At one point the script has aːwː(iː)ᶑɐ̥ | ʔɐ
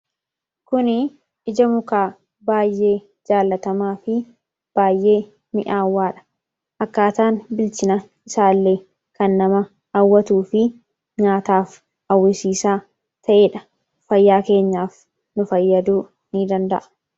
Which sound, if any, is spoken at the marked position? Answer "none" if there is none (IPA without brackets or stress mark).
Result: aː